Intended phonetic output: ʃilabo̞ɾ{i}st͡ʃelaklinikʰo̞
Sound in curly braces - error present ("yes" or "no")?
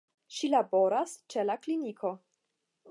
yes